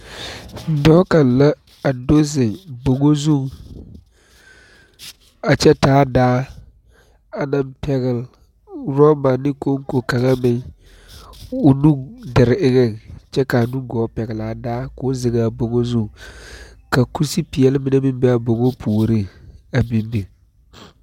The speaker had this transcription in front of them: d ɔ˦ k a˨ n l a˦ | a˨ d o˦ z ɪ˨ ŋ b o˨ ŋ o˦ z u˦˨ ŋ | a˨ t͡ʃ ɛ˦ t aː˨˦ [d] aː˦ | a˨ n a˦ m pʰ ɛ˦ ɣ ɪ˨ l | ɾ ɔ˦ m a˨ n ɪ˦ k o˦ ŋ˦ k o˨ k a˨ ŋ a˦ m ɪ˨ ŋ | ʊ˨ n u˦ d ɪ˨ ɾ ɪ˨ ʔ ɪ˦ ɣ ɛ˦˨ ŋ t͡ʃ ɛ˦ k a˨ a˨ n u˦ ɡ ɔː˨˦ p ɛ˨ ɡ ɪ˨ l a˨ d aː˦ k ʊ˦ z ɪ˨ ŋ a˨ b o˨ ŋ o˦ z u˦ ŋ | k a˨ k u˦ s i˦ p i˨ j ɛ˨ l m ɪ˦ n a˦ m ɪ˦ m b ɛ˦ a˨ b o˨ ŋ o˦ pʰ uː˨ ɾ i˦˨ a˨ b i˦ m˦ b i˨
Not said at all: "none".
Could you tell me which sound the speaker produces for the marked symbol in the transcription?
d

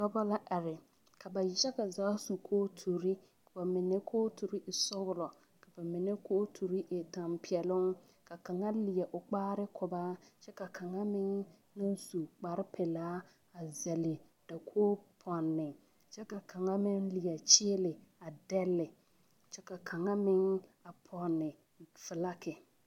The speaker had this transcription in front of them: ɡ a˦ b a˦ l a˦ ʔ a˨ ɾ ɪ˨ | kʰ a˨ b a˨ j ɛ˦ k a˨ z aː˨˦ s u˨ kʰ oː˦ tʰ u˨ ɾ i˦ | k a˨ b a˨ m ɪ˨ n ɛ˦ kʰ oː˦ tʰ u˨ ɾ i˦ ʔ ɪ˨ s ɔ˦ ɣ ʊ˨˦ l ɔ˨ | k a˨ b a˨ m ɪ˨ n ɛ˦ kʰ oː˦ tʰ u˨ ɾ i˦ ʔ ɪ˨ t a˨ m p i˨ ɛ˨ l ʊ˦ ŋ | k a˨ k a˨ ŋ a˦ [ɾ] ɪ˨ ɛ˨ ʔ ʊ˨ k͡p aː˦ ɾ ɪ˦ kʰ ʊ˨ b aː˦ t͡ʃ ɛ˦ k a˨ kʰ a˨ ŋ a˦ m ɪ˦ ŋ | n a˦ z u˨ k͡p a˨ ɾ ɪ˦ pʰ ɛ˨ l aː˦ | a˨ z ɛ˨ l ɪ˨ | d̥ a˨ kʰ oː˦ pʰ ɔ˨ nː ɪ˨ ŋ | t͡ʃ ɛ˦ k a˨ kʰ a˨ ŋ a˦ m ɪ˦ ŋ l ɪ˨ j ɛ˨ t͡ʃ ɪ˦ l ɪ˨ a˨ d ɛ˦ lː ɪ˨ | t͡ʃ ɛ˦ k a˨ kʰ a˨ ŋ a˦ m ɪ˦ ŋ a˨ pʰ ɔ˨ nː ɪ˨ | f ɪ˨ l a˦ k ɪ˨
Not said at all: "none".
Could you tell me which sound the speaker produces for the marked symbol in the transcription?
l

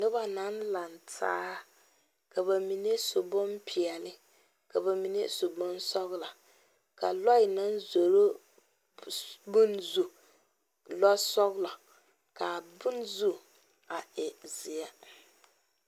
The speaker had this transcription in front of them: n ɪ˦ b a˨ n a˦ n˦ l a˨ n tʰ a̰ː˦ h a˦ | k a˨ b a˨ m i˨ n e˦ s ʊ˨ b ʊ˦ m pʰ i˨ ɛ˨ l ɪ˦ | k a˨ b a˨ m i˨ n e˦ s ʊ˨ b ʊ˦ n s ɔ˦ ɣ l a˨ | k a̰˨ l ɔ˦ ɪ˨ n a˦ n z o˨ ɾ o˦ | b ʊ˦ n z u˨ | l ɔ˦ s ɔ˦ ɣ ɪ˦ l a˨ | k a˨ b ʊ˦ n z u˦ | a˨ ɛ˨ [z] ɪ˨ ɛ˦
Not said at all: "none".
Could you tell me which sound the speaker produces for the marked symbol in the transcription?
z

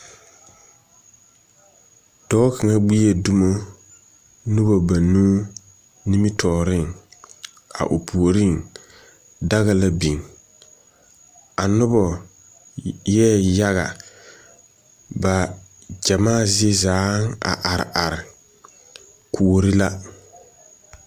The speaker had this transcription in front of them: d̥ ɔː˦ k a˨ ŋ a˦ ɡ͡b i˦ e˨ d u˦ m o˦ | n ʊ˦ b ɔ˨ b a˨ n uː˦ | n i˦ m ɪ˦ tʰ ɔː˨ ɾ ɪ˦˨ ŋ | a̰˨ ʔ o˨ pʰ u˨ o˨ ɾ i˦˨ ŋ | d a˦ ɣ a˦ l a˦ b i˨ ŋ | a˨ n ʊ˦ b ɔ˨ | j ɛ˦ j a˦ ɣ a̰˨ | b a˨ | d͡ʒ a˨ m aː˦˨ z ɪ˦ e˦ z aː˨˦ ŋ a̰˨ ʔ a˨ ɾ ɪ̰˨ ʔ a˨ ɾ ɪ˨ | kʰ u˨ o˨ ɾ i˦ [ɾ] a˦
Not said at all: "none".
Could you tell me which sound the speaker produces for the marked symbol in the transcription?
l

